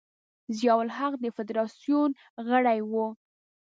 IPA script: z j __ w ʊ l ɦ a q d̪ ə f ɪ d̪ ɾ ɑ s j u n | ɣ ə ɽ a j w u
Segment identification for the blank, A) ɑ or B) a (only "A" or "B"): A